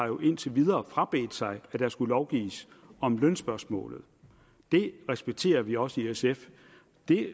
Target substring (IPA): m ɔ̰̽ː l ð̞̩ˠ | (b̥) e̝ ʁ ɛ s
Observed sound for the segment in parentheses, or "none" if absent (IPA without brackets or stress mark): d̥